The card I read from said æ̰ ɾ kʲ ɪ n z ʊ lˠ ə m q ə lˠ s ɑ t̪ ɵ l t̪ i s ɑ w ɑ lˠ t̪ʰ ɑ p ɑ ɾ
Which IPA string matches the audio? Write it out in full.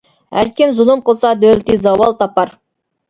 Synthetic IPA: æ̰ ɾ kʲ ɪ n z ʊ lˠ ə m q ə lˠ s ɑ d̪ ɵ l t̪ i z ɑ w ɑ lˠ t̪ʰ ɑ p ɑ ɾ